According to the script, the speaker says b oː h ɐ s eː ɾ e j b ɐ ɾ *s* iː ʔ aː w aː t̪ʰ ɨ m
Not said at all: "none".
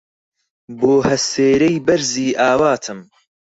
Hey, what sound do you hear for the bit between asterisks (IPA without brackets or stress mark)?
z